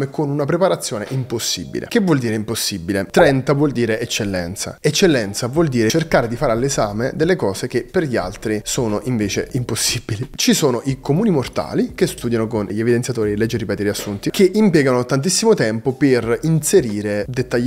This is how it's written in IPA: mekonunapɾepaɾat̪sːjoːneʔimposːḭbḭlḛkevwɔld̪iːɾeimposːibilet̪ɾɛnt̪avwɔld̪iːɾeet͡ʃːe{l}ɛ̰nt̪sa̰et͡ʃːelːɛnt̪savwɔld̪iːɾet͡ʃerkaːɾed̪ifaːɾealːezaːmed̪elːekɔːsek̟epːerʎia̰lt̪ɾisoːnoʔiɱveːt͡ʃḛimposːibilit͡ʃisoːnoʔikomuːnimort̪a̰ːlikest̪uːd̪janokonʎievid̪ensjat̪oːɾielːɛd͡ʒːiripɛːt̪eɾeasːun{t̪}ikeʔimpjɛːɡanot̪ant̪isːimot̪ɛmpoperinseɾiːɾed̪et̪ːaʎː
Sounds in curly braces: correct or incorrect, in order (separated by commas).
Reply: incorrect, correct